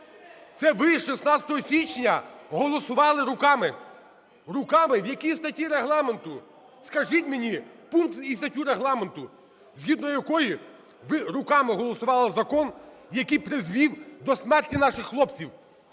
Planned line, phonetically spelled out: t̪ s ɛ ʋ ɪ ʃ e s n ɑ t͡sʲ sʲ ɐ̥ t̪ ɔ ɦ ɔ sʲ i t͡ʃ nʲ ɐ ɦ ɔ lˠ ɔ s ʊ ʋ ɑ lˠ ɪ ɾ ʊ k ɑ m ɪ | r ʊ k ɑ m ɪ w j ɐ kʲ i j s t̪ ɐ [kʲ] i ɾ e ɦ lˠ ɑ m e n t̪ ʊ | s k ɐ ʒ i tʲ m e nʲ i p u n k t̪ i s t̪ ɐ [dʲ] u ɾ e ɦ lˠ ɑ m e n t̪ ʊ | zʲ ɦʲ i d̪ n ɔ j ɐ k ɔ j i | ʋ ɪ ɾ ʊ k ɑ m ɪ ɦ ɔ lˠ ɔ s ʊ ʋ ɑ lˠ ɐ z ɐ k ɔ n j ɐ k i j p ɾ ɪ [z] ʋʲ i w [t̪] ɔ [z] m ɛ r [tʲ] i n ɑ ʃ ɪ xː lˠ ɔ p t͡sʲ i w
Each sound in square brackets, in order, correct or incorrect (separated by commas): incorrect, incorrect, correct, incorrect, incorrect, correct